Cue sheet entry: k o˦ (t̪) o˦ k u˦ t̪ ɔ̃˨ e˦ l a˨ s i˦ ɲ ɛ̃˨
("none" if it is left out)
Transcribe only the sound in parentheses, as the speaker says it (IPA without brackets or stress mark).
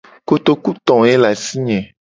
t̪